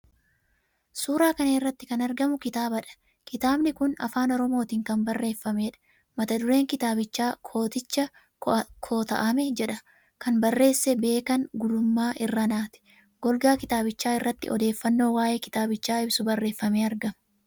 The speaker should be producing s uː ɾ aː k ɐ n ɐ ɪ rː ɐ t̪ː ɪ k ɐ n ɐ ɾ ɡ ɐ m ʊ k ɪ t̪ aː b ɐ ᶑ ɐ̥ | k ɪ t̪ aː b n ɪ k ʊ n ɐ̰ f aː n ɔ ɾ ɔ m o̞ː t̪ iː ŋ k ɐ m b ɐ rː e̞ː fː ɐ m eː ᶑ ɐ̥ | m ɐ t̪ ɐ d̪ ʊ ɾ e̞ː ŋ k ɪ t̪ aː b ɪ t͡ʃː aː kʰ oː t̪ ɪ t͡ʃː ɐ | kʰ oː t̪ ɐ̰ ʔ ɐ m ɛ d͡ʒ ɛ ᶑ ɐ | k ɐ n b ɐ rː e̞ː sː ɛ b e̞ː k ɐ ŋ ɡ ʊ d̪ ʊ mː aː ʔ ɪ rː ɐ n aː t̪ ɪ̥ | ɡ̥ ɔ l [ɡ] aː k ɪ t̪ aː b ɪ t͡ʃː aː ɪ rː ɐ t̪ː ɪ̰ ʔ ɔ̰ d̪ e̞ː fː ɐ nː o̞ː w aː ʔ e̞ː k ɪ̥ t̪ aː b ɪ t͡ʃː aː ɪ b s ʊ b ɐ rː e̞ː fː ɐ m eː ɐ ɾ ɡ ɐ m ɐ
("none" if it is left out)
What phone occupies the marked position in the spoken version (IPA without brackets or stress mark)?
ɡ